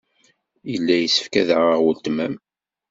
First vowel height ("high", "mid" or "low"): mid